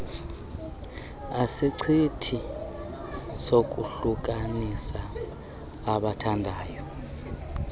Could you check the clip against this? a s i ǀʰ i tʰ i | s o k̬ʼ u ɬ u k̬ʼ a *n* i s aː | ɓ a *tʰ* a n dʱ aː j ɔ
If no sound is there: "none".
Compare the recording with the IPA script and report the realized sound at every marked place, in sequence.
n, tʰ

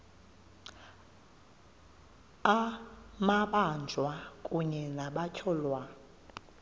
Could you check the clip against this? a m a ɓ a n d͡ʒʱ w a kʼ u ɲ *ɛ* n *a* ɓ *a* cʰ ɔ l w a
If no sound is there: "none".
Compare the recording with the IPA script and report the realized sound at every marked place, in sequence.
ɛ, a, a

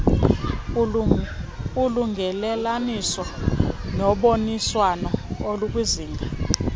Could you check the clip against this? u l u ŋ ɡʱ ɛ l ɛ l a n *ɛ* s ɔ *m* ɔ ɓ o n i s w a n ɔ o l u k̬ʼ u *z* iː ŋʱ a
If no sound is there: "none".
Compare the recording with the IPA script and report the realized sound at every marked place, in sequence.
i, n, z

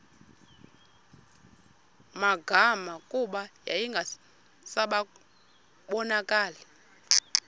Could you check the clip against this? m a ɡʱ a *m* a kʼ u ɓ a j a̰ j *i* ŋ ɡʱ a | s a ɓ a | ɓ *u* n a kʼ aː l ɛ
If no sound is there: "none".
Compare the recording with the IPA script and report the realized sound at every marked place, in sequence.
m, i, ɔ

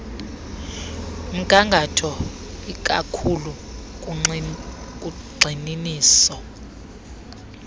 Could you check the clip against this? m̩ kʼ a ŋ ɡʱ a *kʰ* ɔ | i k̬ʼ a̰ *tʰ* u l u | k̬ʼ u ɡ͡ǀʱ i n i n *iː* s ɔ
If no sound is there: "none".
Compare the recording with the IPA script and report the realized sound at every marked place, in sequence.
tʰ, kʰ, iː

